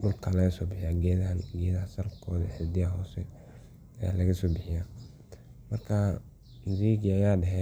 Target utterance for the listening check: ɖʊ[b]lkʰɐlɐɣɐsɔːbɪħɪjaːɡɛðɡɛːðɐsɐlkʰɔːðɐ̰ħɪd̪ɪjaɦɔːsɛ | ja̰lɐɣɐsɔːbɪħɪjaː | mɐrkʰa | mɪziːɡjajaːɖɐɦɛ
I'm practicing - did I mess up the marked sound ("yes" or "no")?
yes